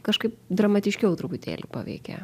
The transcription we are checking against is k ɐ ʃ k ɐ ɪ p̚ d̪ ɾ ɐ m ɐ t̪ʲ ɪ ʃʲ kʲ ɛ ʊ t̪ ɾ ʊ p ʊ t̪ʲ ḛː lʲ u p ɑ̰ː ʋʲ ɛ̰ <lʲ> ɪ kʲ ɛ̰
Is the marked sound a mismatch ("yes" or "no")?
yes